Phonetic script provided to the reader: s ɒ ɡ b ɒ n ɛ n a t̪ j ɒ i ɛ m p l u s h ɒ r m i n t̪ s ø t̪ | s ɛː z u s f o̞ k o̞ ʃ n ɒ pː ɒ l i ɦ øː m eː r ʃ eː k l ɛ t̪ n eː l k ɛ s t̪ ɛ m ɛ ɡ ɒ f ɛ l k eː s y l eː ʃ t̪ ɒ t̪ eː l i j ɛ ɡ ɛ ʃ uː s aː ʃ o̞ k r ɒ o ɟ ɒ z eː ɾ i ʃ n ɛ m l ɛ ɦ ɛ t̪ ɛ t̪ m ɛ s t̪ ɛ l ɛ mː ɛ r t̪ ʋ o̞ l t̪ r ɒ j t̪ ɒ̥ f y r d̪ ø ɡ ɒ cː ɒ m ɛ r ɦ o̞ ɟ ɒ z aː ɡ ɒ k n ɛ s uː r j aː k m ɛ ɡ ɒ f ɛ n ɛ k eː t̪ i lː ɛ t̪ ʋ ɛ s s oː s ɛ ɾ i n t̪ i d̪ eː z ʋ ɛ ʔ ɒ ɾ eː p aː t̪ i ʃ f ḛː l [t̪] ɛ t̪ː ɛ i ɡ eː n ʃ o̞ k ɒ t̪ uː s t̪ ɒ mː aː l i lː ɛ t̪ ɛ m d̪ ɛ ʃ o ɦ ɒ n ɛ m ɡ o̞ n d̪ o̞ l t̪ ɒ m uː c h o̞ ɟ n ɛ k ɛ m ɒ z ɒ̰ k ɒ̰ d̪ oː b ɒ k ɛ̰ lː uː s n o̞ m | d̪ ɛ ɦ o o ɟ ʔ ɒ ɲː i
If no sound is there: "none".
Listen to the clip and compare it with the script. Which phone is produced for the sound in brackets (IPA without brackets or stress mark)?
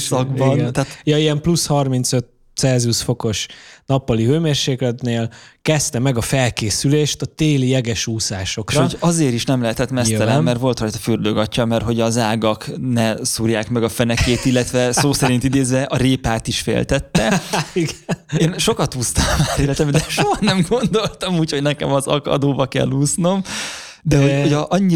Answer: t̪